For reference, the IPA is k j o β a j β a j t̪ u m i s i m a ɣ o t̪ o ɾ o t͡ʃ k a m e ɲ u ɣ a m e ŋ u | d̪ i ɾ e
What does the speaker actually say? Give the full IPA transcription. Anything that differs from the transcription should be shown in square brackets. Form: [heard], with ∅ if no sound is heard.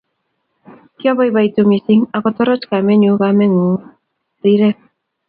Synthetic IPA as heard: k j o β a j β a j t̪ u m i s i [ŋ] a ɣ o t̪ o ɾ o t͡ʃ k a m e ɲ u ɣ a m e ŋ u | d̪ i ɾ e